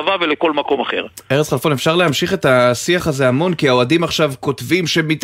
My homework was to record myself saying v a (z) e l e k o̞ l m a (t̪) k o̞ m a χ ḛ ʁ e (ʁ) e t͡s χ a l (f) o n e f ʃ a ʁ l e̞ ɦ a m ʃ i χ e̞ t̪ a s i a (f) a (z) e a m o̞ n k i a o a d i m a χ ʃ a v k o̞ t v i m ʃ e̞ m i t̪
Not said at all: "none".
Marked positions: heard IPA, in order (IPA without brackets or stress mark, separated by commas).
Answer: v, none, ʁ, f, χ, z